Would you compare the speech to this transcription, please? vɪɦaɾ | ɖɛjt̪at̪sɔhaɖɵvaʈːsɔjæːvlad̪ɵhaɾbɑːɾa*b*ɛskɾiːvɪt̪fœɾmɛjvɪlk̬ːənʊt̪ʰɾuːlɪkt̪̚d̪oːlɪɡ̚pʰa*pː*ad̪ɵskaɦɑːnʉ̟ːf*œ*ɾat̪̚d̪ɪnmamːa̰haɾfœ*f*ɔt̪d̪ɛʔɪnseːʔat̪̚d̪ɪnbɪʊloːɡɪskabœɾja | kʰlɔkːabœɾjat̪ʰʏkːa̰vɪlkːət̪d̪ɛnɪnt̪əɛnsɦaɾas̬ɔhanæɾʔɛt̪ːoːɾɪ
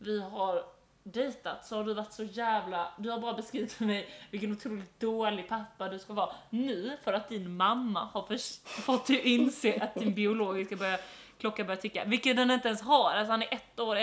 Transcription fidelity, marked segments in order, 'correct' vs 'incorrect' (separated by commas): correct, correct, correct, correct